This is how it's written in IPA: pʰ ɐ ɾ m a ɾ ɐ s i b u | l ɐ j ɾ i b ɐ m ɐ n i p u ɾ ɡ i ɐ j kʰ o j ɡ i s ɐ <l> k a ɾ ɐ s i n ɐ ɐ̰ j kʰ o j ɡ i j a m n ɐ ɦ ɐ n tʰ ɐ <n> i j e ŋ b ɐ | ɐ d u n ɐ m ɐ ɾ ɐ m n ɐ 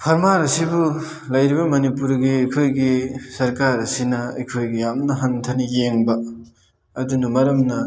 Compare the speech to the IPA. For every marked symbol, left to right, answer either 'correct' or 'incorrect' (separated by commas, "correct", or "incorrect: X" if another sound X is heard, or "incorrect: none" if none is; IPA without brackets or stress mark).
incorrect: ɾ, correct